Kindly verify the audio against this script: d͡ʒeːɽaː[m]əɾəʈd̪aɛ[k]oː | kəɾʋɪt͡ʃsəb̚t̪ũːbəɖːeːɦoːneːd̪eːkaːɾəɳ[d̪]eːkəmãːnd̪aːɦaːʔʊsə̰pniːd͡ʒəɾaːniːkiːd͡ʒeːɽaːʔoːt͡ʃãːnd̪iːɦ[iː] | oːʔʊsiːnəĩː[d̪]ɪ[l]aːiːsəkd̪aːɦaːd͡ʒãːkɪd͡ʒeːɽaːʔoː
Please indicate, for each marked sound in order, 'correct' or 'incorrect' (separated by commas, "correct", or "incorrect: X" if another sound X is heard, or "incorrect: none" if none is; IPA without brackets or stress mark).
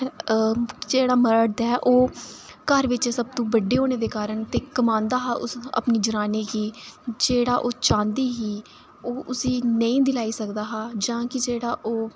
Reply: correct, incorrect: ʔ, incorrect: t̪, correct, correct, correct